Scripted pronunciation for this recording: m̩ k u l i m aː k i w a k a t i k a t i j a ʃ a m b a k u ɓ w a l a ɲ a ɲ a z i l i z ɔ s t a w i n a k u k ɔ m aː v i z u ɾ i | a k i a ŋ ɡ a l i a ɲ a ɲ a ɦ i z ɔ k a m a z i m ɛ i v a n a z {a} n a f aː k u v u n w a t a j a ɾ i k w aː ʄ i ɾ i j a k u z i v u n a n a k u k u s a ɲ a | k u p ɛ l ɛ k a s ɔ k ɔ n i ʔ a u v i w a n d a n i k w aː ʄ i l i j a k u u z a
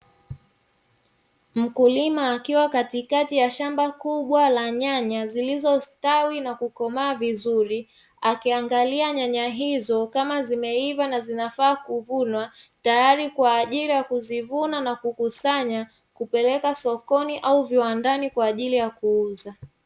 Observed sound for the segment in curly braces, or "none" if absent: i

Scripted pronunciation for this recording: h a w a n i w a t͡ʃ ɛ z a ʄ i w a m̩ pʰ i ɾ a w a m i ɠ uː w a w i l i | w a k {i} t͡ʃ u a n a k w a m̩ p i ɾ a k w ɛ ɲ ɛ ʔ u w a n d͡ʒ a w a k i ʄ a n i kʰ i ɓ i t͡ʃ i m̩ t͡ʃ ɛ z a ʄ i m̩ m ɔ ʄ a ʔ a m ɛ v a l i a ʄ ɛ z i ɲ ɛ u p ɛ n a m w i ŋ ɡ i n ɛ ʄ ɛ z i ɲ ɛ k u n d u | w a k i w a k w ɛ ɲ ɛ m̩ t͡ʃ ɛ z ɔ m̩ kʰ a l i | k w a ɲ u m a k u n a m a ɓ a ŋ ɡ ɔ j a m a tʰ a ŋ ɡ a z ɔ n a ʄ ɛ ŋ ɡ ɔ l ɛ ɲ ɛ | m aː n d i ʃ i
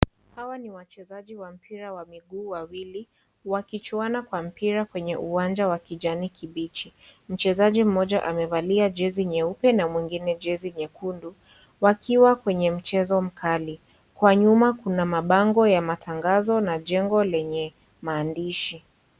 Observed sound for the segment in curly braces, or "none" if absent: i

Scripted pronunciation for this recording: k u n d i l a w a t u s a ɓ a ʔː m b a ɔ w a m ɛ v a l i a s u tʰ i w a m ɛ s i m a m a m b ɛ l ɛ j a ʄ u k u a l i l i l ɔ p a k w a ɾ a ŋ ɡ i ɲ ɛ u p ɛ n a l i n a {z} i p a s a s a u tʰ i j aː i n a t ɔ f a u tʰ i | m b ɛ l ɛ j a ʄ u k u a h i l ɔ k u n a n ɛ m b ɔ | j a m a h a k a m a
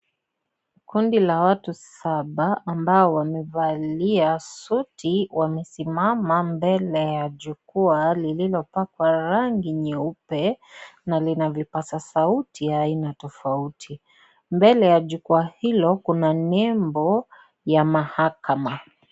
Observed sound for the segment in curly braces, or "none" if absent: v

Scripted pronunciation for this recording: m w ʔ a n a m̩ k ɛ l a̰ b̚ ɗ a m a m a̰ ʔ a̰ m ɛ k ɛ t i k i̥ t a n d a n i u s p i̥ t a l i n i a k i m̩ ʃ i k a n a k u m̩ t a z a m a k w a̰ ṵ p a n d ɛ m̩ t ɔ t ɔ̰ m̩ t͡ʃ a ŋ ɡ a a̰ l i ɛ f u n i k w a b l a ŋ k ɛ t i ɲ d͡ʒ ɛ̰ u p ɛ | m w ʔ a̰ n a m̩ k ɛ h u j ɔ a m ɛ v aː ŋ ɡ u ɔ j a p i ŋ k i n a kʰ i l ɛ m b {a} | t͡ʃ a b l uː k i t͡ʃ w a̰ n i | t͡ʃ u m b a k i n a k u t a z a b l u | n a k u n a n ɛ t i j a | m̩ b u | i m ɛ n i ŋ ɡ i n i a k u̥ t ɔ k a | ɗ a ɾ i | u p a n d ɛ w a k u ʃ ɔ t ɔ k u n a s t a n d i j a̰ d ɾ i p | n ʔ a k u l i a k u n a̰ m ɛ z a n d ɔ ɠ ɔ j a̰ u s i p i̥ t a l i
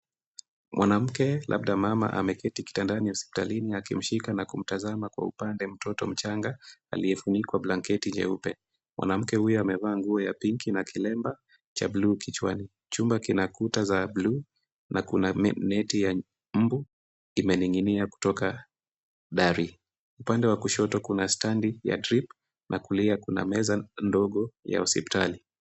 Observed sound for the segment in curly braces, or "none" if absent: a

